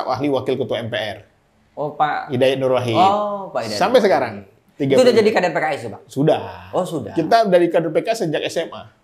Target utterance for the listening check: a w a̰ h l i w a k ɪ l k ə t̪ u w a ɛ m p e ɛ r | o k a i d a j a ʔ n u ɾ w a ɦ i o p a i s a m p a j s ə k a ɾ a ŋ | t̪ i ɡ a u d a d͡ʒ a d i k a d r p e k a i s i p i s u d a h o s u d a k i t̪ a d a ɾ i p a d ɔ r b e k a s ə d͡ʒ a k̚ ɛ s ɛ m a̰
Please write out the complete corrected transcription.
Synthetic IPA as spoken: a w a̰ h l i w a k ɪ l k ə t̪ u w a ɛ m p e ɛ r | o p a i d a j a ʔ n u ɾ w a ɦ i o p a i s a m p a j s ə k a ɾ a ŋ | t̪ i ɡ a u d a d͡ʒ a d i k a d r p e k a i s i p a s u d a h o s u d a k i t̪ a d a ɾ i k a d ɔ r p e k a s ə d͡ʒ a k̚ ɛ s ɛ m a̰